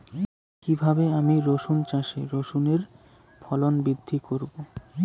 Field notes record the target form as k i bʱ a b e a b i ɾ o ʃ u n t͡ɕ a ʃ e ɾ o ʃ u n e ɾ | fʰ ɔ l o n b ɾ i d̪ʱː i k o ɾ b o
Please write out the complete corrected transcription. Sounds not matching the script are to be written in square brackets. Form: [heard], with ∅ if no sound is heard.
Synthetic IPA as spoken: k i bʱ a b e a [m] i ɾ o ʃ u n t͡ɕ a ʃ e ɾ o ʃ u n e ɾ | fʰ ɔ l o n b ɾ i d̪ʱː i k o ɾ b o

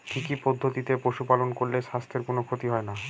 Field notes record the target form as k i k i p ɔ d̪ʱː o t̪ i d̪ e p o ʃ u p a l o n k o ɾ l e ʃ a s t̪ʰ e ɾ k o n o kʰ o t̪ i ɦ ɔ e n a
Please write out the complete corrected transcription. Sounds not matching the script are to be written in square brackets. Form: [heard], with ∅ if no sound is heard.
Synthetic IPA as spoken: k i k i p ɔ d̪ʱː o t̪ i [t̪] e p o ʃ u p a l o n k o ɾ l e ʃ a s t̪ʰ e ɾ k o n o kʰ o t̪ i ɦ ɔ e n a

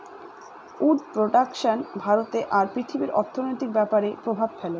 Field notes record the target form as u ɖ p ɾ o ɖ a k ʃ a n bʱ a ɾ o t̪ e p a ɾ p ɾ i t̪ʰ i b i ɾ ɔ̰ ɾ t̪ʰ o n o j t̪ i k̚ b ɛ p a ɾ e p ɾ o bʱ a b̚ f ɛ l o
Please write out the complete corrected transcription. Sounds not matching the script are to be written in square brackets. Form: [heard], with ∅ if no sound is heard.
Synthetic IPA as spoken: u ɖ p ɾ o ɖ a k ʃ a n bʱ a ɾ o t̪ e [ʔ] a ɾ p ɾ i t̪ʰ i b i ɾ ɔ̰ ɾ t̪ʰ o n o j t̪ i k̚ b ɛ p a ɾ e p ɾ o bʱ a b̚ f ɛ l o

